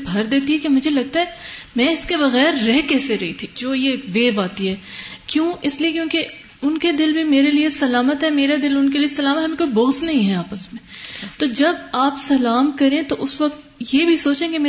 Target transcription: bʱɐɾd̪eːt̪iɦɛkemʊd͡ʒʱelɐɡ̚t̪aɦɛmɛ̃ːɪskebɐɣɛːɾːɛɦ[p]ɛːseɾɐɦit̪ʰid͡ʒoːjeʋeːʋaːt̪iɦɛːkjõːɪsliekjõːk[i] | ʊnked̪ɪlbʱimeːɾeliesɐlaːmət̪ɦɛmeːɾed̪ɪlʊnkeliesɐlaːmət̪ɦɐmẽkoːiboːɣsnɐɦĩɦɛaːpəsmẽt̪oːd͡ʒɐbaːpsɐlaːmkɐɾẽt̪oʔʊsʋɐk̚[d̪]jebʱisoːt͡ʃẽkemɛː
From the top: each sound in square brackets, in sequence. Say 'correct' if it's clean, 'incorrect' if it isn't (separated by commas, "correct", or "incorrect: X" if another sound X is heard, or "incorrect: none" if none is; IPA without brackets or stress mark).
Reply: incorrect: k, incorrect: e, incorrect: t̪